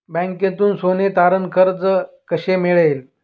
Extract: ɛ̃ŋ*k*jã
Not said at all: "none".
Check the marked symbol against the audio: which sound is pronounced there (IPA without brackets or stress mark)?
k